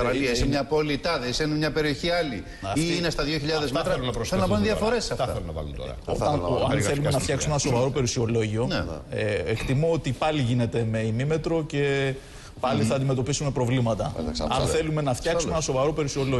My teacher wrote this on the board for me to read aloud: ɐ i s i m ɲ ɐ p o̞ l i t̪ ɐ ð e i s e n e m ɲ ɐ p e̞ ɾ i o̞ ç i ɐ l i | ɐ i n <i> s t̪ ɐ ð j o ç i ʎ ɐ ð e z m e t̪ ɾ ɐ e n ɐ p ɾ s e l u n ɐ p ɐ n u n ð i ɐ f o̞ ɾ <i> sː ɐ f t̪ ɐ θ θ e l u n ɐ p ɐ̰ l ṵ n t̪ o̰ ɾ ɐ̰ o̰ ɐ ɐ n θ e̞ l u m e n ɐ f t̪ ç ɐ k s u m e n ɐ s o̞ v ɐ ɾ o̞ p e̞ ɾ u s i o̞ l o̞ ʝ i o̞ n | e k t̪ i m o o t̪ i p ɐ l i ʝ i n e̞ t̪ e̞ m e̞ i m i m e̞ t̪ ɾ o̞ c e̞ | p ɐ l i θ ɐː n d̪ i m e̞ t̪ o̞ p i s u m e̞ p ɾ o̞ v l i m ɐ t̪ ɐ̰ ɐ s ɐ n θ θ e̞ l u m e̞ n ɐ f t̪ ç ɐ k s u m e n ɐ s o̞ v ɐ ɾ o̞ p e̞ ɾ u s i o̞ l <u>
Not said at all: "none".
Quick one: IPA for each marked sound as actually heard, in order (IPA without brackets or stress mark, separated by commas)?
e, e, o